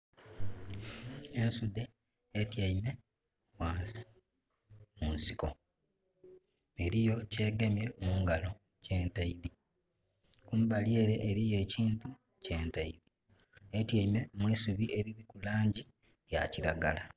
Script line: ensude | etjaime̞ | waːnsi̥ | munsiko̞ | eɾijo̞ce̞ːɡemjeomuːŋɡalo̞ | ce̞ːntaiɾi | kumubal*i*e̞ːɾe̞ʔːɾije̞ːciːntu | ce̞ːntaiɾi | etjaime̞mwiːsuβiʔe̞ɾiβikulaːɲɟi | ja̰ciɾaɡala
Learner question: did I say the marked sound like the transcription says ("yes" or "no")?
no